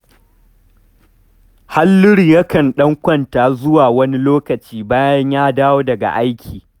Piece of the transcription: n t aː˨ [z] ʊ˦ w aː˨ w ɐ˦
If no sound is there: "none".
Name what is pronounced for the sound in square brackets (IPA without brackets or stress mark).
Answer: z